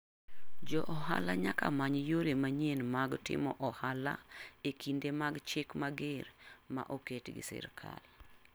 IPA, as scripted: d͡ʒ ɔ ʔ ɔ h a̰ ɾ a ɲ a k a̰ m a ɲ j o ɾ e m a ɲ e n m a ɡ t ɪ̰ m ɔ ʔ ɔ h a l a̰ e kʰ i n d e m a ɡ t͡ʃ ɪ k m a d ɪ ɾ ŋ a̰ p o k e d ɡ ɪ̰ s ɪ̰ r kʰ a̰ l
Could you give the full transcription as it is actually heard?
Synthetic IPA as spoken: d͡ʒ ɔ ʔ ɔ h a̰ l a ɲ a k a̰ m a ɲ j o ɾ e m a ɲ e n m a ɡ t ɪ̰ m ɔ ʔ ɔ h a l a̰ e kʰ i n d e m a ɡ t͡ʃ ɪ k m a ɡ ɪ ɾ m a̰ ʔ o k e t ɡ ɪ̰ s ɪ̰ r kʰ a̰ l